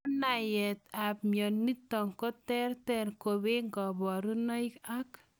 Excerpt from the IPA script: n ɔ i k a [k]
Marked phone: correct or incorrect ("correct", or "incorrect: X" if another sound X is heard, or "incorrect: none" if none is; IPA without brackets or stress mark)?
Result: correct